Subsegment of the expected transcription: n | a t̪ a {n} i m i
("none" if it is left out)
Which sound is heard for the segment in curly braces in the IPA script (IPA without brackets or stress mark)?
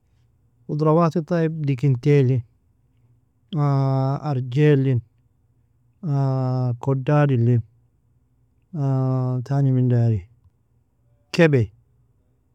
n